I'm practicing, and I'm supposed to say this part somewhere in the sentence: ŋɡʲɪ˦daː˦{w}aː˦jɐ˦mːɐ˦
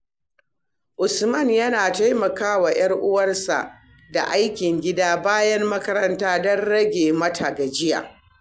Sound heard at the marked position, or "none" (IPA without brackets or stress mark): b